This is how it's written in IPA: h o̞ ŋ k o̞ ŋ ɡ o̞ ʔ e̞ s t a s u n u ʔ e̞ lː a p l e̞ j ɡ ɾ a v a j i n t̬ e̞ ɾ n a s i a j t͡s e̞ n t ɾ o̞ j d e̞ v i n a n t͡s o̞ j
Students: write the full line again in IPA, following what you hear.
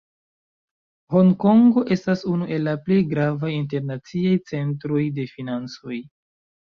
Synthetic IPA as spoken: h o̞ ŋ k o̞ ŋ ɡ o̞ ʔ e̞ s t a s u n u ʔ e̞ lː a p l e̞ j ɡ ɾ a v a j i n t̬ e̞ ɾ n a t͡s i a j t͡s e̞ n t ɾ o̞ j d e̞ f i n a n t͡s o̞ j